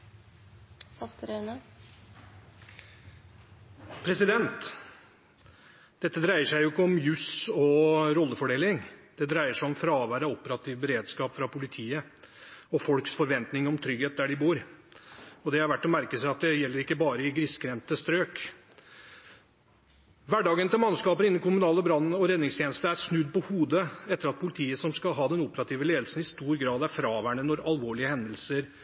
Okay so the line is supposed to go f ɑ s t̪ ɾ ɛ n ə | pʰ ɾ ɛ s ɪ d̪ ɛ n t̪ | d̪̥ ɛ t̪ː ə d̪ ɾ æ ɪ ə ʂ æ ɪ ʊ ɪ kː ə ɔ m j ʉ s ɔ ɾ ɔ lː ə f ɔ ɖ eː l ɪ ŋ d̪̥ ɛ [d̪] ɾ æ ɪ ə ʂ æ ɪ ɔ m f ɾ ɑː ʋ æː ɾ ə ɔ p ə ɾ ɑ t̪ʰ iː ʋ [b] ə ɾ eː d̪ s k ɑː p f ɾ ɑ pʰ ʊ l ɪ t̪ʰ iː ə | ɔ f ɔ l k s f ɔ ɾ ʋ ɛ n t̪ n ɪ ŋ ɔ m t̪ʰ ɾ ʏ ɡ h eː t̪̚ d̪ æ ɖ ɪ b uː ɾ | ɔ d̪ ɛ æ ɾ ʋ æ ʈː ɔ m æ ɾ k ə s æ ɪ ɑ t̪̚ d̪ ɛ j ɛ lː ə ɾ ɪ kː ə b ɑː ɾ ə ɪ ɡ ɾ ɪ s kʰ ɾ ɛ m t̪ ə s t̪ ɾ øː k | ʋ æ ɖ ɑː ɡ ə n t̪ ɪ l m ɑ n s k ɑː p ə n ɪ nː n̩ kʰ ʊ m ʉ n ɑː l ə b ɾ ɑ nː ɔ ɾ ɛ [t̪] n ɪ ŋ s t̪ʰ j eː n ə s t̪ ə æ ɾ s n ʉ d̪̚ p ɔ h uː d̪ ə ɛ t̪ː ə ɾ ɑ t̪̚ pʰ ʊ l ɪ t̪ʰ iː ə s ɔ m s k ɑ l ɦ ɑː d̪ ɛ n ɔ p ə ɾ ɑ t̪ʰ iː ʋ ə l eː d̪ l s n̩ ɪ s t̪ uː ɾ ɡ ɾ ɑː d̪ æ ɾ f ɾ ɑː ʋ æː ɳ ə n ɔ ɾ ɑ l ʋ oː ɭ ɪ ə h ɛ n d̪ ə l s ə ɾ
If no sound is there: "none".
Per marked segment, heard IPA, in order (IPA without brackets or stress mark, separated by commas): d̪, b, d̪